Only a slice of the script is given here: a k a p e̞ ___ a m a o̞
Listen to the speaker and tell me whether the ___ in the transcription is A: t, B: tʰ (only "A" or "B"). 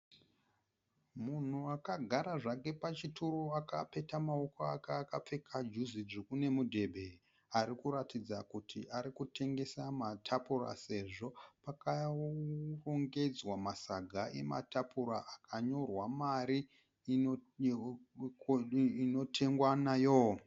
A